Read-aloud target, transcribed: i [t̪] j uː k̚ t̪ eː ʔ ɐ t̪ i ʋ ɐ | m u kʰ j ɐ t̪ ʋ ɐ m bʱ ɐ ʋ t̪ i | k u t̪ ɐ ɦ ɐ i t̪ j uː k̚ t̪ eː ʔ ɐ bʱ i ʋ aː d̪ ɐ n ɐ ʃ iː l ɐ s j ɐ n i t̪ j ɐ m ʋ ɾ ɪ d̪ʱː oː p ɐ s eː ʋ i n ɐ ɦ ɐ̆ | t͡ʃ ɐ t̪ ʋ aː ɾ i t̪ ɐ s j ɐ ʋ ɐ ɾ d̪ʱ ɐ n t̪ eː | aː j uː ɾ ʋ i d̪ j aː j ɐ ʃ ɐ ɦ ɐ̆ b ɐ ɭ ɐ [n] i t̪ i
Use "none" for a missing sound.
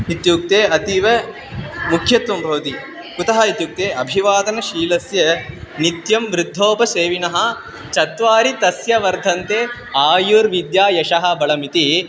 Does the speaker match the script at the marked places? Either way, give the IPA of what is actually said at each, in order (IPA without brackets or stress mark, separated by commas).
t̪, m